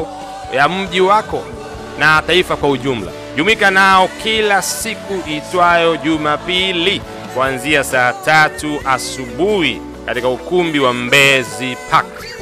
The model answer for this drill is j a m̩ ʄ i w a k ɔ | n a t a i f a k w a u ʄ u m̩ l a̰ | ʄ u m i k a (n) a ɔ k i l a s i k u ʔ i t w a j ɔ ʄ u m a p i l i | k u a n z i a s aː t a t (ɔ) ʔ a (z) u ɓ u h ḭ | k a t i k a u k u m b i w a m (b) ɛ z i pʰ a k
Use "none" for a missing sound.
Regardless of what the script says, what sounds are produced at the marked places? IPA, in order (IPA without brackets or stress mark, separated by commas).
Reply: n, u, s, b